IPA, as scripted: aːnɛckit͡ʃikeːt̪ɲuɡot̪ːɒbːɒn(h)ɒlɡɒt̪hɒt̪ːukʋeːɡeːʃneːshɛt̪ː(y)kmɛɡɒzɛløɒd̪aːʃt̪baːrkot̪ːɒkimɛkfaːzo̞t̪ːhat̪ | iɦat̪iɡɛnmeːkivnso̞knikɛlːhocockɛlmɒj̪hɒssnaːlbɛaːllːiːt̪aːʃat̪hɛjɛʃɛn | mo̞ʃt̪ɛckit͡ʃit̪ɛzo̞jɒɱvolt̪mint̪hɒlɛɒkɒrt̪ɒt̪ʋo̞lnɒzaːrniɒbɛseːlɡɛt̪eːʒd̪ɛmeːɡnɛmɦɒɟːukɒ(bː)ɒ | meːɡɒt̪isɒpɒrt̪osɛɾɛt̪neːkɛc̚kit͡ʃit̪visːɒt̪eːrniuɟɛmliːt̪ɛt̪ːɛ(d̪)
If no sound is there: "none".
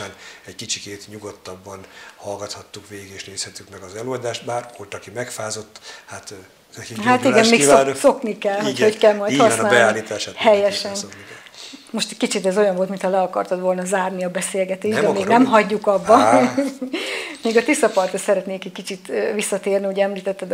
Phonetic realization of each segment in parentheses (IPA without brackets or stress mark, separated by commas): h, y, bː, d̪